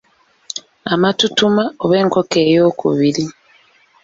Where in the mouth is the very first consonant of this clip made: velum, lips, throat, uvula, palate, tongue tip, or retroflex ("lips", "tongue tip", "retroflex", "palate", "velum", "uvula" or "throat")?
lips